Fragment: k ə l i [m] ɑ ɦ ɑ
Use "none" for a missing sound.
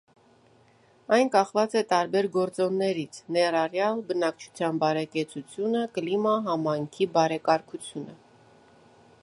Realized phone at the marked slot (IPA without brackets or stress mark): m